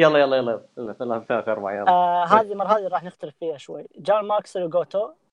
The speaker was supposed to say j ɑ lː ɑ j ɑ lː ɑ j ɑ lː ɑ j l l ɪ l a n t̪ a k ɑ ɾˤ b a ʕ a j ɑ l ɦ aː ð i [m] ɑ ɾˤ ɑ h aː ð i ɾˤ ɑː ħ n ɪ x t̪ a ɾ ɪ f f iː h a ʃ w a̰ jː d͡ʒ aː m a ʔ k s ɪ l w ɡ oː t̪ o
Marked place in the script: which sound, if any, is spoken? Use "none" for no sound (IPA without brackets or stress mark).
m